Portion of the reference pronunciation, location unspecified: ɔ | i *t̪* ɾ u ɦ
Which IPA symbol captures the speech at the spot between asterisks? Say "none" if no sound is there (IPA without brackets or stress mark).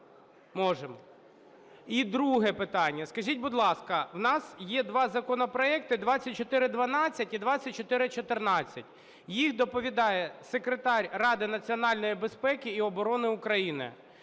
d̪